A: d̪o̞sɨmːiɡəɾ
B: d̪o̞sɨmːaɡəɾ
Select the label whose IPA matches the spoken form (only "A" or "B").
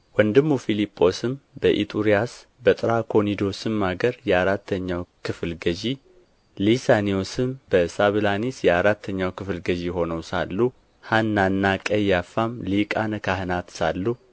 B